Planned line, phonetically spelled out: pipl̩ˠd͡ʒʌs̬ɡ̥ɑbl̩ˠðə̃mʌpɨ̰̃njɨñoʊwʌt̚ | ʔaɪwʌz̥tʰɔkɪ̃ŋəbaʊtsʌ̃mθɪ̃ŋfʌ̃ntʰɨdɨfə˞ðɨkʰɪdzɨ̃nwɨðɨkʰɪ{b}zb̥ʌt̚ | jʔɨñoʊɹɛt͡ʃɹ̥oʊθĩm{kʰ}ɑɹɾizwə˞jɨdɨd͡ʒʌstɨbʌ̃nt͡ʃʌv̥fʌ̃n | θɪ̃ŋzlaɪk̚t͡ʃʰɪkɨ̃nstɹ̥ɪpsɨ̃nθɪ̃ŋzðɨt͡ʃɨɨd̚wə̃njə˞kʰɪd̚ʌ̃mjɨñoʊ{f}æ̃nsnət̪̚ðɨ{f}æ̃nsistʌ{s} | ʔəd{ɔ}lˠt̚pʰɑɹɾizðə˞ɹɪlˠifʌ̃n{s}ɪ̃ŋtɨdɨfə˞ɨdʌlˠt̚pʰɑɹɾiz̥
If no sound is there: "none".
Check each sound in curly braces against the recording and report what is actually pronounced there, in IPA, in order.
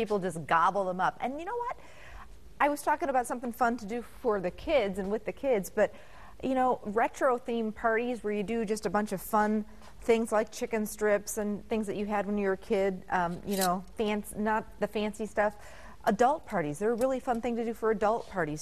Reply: d, pʰ, f, f, f, ʌ, θ

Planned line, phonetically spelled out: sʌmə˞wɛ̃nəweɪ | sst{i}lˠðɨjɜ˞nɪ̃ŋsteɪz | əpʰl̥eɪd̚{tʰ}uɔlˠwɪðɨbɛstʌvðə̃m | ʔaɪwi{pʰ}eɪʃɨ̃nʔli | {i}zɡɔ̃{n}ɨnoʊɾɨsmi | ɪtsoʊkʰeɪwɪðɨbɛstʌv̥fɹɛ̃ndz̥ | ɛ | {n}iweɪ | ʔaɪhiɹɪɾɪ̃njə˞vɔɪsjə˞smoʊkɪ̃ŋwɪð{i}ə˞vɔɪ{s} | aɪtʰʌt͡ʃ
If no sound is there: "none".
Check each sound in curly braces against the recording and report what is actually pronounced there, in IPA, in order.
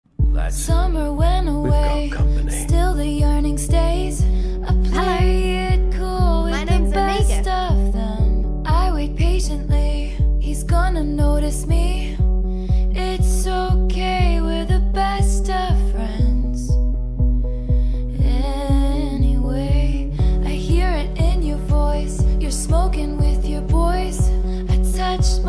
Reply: ɪ, kʰ, pʰ, i, n, n, j, s

